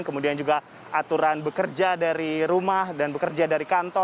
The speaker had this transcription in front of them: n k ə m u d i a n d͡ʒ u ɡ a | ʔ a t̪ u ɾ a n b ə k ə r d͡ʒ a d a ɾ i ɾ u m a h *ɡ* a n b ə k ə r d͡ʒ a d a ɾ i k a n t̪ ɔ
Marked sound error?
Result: yes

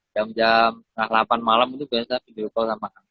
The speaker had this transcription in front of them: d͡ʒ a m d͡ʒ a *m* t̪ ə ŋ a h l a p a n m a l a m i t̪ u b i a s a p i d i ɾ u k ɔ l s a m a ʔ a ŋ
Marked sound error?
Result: no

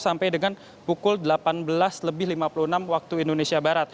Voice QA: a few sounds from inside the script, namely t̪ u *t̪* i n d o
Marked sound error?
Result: yes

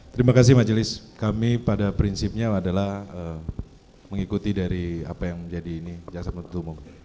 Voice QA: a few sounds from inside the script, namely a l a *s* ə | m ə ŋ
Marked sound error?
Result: yes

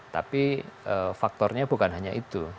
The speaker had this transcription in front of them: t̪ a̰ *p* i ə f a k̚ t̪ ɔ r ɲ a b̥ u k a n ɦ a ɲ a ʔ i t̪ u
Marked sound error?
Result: no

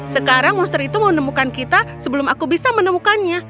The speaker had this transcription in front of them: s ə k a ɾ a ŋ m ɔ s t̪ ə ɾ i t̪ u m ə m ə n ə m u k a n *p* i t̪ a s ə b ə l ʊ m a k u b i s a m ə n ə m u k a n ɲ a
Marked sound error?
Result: yes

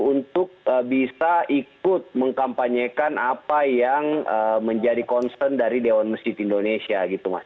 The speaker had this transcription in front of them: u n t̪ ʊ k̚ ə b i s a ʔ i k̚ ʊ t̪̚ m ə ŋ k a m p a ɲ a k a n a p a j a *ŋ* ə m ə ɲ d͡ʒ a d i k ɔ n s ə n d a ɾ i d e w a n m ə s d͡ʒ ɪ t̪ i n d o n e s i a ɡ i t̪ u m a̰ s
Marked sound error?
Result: no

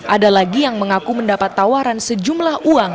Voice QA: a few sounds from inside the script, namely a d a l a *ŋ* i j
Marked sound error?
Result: yes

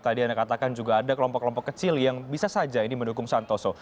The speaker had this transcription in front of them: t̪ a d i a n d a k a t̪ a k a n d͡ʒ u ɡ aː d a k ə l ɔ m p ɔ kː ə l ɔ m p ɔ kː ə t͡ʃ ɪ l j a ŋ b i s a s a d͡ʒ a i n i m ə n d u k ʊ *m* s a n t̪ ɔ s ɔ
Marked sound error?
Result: yes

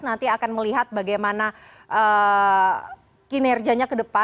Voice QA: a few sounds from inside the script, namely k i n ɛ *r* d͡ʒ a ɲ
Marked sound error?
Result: no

